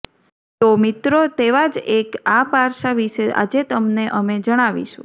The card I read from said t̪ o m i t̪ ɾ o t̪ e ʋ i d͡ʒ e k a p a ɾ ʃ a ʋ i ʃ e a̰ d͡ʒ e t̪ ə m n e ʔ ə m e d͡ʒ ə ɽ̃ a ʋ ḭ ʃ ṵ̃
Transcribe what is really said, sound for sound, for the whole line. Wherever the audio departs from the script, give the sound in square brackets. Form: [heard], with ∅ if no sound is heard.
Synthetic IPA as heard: t̪ o m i t̪ ɾ o t̪ e ʋ [a] d͡ʒ e k a p a ɾ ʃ a ʋ i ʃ e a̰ d͡ʒ e t̪ ə m n e ʔ ə m e d͡ʒ ə ɽ̃ a ʋ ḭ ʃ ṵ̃